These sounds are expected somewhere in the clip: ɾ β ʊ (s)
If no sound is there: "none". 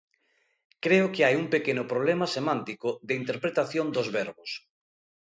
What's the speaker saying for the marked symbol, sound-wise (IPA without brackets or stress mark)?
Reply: s